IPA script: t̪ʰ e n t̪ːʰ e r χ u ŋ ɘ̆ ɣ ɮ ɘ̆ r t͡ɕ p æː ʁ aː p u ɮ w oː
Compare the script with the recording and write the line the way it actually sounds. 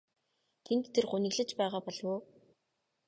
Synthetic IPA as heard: t̪ʰ e n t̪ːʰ e r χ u n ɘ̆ ɣ ɮ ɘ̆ t͡ɕ p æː ʁ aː p ɔ ɮ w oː